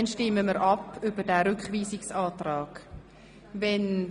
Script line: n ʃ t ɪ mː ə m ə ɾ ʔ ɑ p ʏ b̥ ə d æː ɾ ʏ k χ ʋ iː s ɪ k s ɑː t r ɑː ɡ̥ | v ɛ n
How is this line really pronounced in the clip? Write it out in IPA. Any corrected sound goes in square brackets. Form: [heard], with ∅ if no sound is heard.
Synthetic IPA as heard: n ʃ t ɪ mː ə m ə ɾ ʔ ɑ p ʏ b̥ ə d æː ɾ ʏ k χ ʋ iː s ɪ k s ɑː t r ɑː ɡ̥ | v ɛ n